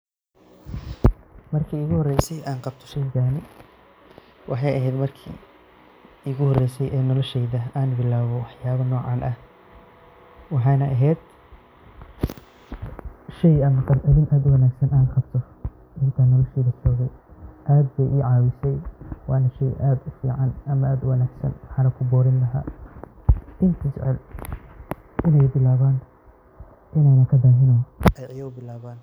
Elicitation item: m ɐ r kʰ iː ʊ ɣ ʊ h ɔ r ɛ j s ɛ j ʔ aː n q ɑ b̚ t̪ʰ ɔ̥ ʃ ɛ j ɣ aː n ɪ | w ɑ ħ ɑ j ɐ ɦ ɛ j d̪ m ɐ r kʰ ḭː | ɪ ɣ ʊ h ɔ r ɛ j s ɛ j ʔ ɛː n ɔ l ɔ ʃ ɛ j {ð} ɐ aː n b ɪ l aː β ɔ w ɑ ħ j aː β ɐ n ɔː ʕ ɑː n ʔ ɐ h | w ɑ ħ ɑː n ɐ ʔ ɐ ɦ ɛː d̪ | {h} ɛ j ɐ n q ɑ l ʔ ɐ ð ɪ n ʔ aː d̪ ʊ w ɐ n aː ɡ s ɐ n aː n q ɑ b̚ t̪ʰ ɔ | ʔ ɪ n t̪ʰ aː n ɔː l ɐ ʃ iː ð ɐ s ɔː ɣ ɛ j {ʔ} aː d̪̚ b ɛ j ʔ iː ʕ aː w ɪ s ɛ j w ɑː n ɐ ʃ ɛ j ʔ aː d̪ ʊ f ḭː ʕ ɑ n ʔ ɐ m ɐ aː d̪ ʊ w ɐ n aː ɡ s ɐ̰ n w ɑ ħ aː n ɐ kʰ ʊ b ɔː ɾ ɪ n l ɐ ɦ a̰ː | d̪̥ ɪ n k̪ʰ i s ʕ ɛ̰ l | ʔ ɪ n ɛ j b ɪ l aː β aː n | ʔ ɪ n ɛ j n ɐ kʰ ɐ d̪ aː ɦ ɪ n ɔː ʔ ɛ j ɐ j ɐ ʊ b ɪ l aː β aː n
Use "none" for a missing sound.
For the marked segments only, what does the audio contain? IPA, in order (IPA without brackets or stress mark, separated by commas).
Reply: ð, ʃ, ʔ